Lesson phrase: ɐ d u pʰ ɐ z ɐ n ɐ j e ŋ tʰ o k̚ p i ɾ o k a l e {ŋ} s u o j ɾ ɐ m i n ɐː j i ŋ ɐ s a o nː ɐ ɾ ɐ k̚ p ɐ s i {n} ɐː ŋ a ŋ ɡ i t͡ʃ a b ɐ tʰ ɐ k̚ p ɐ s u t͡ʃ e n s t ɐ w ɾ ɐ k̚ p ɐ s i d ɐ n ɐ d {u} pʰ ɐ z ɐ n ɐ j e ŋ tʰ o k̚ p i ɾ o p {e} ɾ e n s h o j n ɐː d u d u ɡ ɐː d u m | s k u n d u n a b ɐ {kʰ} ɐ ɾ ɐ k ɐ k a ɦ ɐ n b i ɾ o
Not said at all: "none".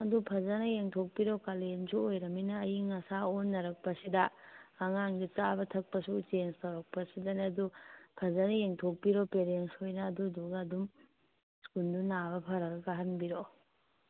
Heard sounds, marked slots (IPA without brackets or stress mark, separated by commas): n, d, u, e, pʰ